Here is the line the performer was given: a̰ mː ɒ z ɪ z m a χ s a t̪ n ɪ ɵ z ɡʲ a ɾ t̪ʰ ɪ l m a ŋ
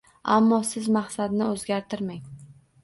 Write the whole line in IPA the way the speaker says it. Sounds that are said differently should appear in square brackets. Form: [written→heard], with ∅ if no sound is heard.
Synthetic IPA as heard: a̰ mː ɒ [z→s] ɪ z m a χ s a [t̪→d̪] n ɪ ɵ z ɡʲ a ɾ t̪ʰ ɪ [l→ɾ] m a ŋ